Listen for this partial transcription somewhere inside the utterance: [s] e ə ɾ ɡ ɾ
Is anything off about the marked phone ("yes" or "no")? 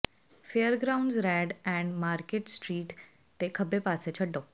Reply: yes